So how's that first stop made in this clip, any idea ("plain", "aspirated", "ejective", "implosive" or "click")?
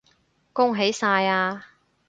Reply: plain